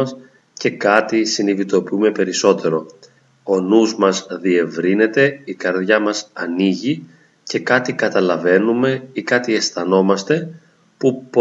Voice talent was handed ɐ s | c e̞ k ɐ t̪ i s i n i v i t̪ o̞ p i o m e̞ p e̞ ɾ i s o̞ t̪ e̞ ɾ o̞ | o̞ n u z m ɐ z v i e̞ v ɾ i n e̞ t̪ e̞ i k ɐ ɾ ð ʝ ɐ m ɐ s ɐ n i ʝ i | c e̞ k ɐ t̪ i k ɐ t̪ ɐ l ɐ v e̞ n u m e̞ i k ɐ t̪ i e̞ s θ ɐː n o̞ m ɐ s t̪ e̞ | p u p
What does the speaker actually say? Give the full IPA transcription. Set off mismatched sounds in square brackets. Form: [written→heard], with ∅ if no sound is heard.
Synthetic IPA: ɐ s | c e̞ k ɐ t̪ i s i n i v i t̪ o̞ p i [o→u] m e̞ p e̞ ɾ i s o̞ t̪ e̞ ɾ o̞ | o̞ n u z m ɐ z [v→ð] i e̞ v ɾ i n e̞ t̪ e̞ i k ɐ ɾ ð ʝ ɐ m ɐ s ɐ n i ʝ i | c e̞ k ɐ t̪ i k ɐ t̪ ɐ l ɐ v e̞ n u m e̞ i k ɐ t̪ i e̞ s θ [ɐː→ɐ] n o̞ m ɐ s t̪ e̞ | p u p